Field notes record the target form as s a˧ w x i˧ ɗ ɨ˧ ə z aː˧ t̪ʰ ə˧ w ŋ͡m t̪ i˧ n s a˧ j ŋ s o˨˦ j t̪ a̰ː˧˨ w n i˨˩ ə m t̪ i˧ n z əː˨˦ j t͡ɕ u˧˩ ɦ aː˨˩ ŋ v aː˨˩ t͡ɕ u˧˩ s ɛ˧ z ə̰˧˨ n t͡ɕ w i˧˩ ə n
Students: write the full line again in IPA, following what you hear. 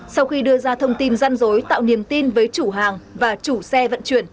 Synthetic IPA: s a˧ w x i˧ ɗ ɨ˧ ə z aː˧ t̪ʰ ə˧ w ŋ͡m t̪ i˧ n z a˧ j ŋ z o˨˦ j t̪ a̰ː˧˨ w n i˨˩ ə m t̪ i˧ n v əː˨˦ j t͡ɕ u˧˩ ɦ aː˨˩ ŋ v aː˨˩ t͡ɕ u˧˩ s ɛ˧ v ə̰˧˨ n t͡ɕ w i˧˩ ə n

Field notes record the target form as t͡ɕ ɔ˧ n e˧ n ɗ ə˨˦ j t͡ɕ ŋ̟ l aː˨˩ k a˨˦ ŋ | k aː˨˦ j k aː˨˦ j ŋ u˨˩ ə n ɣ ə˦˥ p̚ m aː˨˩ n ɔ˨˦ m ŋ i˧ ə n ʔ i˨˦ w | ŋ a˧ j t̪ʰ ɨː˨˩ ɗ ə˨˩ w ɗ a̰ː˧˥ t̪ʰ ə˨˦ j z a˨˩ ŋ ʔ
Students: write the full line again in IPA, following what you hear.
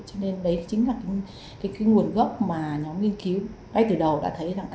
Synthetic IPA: t͡ɕ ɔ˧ n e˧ n ɗ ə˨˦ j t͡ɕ ŋ̟ l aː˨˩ k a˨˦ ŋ | k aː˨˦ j k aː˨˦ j ŋ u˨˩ ə n ɣ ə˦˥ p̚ m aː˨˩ ɲ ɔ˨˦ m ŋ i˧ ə n k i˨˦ w | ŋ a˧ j t̪ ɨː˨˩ ɗ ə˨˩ w ɗ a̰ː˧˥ t̪ʰ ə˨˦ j z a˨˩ ŋ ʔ

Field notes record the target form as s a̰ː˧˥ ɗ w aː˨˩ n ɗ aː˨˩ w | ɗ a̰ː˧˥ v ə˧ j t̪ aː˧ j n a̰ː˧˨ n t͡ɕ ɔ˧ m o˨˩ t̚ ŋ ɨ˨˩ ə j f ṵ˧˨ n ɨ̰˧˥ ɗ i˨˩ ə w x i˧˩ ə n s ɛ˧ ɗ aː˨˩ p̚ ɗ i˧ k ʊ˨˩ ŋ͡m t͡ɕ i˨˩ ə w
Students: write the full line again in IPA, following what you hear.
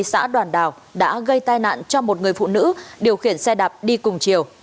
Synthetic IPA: s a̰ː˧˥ ɗ w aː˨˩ n ɗ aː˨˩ w | ɗ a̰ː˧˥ ɣ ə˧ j t̪ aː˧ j n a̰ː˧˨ n t͡ɕ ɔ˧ m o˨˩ t̚ ŋ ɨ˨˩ ə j f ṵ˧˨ n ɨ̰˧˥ ɗ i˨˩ ə w x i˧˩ ə n s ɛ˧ ɗ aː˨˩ p̚ ɗ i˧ k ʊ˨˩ ŋ͡m t͡ɕ i˨˩ ə w

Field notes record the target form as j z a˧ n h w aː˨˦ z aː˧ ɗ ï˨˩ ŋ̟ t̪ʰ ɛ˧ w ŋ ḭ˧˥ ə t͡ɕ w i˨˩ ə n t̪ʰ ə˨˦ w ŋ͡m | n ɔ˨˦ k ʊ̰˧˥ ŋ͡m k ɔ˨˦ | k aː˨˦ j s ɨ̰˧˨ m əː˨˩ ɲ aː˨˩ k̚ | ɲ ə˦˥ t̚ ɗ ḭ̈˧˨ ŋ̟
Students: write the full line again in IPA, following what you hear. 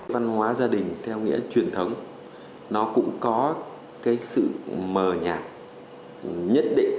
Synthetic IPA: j v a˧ n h w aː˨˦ z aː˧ ɗ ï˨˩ ŋ̟ t̪ʰ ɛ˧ w ŋ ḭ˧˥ ə t͡ɕ w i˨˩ ə n t̪ʰ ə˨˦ w ŋ͡m | n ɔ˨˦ k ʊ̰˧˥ ŋ͡m k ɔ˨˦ | k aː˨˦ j s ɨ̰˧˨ m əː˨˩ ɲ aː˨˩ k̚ | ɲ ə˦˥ t̚ ɗ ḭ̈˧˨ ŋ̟

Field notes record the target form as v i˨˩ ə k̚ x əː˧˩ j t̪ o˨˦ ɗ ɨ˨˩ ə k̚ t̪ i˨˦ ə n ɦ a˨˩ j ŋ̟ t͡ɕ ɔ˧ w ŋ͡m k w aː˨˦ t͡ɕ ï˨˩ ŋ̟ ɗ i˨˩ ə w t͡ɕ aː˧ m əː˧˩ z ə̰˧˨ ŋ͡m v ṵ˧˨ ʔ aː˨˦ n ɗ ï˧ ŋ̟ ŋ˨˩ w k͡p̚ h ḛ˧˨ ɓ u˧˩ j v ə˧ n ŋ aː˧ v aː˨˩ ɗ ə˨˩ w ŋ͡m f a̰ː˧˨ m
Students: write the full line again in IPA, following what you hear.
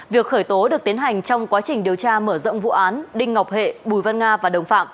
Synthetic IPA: v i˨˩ ə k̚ x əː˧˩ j t̪ o˨˦ ɗ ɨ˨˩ ə k̚ t̪ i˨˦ ə n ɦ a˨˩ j ŋ̟ t͡ɕ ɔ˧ w ŋ͡m k w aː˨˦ t͡ɕ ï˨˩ ŋ̟ ɗ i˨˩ ə w t͡ɕ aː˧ m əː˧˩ z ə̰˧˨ ŋ͡m v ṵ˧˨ ʔ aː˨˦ n ɗ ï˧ ŋ̟ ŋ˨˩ w k͡p̚ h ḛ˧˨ ɓ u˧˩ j v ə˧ n ŋ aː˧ v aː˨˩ ɗ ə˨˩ w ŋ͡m f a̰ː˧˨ m

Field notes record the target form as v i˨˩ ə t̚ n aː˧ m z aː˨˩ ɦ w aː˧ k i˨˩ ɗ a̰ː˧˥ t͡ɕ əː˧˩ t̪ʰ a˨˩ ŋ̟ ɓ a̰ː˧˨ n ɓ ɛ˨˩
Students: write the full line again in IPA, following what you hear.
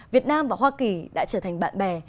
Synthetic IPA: v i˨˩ ə t̚ n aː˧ m v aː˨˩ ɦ w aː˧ k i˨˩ ɗ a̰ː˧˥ t͡ɕ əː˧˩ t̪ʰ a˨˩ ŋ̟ ɓ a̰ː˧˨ n ɓ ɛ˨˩

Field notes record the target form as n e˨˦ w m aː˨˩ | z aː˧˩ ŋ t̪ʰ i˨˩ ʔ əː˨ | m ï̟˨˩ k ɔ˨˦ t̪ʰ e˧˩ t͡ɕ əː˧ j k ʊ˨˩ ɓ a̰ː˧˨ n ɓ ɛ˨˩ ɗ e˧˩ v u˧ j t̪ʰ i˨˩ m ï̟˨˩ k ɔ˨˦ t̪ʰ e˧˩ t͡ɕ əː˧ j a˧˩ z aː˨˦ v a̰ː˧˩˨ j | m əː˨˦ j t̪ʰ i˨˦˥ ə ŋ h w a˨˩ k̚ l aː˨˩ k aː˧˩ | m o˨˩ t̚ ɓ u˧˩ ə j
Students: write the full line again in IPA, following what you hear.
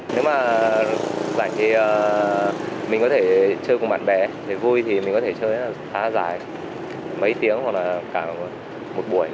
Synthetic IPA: n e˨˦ w m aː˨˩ | z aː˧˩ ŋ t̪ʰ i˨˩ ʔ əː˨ | m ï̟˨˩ k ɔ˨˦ t̪ʰ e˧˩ t͡ɕ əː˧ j k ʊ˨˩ ɓ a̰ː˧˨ n ɓ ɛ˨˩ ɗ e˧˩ v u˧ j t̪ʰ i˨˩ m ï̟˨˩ k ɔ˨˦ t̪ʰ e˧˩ t͡ɕ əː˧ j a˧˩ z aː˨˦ z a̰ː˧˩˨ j | m ə˨˦ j t̪ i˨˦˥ ə ŋ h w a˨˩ k̚ l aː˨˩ k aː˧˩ | m o˨˩ t̚ ɓ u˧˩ ə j

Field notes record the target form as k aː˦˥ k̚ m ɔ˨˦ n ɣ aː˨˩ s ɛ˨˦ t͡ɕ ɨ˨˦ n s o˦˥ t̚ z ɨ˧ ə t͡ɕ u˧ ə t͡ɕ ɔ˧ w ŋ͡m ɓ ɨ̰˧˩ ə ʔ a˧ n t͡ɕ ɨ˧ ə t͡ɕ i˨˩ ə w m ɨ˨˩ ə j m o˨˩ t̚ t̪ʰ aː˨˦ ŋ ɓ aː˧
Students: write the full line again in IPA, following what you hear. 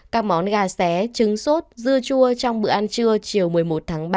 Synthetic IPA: k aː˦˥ k̚ m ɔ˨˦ n ɣ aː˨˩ s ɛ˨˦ t͡ɕ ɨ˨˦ ŋ s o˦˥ t̚ z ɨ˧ ə t͡ɕ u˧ ə t͡ɕ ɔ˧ w ŋ͡m ɓ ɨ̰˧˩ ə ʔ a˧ n t͡ɕ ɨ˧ ə t͡ɕ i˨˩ ə w m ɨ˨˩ ə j m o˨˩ t̚ t̪ʰ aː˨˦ ŋ ɓ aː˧

